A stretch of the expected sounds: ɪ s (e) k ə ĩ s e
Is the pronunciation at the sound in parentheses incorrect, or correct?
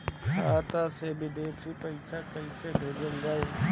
incorrect